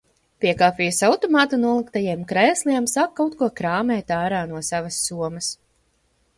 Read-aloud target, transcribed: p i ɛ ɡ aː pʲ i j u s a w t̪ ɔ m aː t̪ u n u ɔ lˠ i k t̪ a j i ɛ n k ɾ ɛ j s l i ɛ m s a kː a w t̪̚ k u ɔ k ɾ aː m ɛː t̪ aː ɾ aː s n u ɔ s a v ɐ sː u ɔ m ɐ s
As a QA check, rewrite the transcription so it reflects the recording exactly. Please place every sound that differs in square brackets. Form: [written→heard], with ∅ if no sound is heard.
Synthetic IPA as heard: p i ɛ [ɡ→k] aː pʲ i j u s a w t̪ ɔ m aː t̪ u n u ɔ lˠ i k t̪ a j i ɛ [n→m] k ɾ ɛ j s l i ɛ m s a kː a w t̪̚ k u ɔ k ɾ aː m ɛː t̪ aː ɾ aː [s→∅] n u ɔ s a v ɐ sː u ɔ m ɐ s